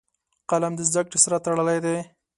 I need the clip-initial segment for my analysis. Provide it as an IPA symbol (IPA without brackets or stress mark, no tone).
q